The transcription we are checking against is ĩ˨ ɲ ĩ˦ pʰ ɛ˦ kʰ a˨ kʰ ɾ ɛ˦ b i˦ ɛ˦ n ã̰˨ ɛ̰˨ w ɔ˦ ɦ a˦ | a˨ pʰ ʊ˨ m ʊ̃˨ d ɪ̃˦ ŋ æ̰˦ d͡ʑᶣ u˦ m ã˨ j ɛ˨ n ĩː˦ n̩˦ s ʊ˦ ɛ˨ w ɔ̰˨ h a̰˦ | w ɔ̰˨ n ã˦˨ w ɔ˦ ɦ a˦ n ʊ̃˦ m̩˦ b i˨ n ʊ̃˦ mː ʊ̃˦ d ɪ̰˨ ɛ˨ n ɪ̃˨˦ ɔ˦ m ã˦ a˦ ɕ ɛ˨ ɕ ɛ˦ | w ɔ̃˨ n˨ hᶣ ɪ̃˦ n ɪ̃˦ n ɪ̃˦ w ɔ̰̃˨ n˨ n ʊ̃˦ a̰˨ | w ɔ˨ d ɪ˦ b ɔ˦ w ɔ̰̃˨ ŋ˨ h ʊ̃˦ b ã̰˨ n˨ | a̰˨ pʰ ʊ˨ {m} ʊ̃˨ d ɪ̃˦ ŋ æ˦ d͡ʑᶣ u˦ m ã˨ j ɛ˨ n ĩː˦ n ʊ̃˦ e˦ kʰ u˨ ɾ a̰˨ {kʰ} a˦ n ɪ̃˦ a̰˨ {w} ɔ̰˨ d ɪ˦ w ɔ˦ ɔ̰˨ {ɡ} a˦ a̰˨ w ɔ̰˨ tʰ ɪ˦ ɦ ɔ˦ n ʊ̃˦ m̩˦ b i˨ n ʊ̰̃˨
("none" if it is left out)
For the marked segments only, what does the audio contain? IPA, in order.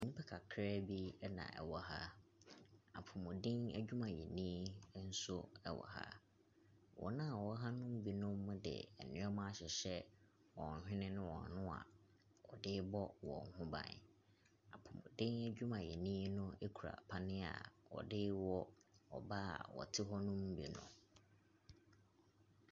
m, pʰ, w, b

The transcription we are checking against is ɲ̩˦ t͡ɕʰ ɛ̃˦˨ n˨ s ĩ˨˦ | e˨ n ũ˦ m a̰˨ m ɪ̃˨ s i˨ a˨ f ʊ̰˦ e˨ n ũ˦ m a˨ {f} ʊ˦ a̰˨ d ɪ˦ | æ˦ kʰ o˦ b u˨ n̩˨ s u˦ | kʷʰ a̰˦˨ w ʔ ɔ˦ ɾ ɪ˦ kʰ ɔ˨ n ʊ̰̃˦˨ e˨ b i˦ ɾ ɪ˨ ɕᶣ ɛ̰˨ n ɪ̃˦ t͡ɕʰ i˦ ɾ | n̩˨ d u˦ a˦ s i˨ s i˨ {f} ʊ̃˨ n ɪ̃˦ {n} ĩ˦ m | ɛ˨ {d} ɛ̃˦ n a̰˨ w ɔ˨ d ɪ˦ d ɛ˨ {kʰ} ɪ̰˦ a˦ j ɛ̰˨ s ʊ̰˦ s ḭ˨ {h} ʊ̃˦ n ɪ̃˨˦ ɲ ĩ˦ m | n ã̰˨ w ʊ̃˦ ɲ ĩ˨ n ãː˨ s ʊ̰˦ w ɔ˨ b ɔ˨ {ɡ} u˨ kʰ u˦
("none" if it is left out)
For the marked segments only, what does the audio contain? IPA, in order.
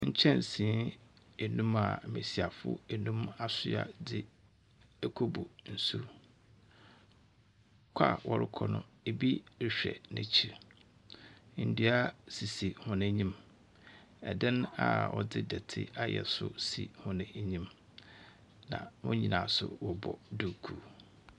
s, h, ɲ, d, tʰ, h, d

